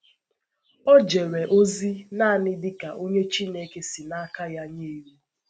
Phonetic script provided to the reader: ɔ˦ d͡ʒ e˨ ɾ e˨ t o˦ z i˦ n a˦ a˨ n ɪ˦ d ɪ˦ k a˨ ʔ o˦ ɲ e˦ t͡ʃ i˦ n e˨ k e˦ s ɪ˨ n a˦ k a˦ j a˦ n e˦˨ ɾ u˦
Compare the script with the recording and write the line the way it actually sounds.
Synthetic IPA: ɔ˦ d͡ʒ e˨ ɾ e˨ ʔ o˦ z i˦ n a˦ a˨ n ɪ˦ d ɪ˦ k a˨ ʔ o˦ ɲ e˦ t͡ʃ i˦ n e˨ k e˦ s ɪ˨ n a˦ k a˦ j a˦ ɲ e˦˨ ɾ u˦